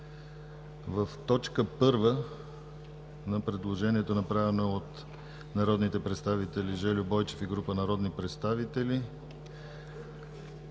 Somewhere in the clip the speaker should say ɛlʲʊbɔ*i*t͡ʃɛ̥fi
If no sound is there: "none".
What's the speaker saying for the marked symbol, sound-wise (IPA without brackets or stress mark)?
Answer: j